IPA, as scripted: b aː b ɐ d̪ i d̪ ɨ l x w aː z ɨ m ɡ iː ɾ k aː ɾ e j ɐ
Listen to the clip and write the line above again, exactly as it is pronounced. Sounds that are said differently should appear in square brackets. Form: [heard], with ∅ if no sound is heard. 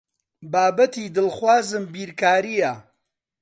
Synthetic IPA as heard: b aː b ɐ [t̪] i d̪ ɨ l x w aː z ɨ m [b] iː ɾ k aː ɾ [i] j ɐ